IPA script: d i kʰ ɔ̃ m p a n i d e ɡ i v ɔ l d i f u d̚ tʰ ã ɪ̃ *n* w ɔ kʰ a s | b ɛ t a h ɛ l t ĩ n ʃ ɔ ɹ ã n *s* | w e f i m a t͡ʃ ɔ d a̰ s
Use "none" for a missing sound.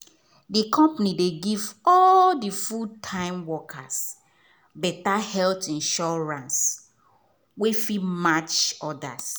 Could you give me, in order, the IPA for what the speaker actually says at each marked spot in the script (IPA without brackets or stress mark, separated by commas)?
m, s